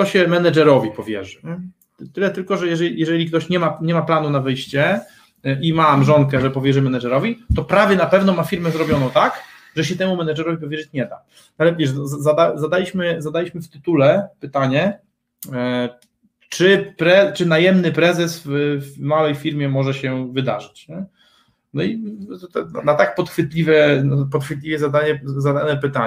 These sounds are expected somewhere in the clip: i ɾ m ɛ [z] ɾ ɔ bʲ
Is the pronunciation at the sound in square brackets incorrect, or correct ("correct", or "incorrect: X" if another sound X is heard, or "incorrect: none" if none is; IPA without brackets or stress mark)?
correct